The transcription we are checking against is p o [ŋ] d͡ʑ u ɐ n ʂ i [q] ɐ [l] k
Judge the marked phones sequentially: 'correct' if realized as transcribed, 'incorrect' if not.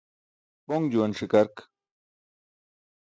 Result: correct, incorrect, incorrect

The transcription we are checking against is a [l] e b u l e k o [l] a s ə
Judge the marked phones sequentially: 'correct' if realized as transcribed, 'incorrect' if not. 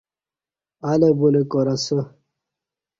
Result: correct, incorrect

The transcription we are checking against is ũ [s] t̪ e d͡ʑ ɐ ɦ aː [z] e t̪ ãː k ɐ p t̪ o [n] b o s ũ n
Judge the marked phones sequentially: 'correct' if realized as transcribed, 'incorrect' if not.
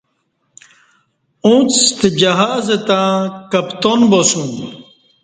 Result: incorrect, correct, correct

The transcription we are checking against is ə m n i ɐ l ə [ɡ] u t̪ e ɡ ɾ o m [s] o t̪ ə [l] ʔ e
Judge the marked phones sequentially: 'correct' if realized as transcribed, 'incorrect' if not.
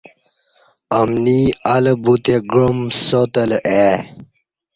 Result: incorrect, correct, correct

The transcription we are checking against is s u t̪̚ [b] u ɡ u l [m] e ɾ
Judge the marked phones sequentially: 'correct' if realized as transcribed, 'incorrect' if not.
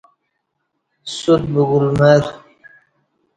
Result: correct, correct

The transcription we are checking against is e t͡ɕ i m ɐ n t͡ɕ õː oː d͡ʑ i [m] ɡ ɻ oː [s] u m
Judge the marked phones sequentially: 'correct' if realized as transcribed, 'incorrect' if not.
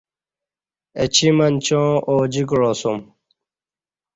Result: incorrect, correct

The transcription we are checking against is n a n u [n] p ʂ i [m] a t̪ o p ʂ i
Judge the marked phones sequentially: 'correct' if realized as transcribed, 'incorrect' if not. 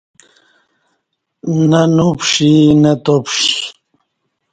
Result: incorrect, incorrect

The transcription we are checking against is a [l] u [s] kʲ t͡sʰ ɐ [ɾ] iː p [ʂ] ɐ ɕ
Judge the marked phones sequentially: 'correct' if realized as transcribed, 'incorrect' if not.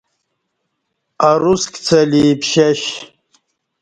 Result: incorrect, correct, incorrect, incorrect

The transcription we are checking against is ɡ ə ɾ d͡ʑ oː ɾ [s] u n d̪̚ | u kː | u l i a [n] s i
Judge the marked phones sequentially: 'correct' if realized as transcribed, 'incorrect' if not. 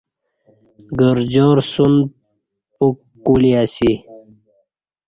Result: correct, incorrect

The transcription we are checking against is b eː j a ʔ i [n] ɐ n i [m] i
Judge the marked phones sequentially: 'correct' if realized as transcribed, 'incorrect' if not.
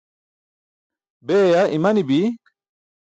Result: incorrect, incorrect

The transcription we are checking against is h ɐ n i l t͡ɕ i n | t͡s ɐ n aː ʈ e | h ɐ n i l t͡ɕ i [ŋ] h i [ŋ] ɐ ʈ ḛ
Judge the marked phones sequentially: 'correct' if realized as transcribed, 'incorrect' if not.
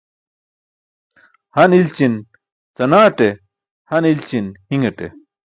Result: incorrect, correct

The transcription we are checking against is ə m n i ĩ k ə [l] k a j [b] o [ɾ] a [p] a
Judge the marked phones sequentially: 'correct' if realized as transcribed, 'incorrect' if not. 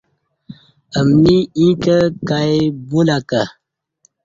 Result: incorrect, correct, incorrect, incorrect

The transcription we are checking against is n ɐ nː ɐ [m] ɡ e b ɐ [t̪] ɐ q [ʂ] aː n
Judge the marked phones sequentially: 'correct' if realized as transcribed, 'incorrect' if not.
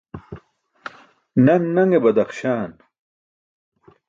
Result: incorrect, incorrect, incorrect

